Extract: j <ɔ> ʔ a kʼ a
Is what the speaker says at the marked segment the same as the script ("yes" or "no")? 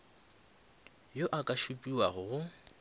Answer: no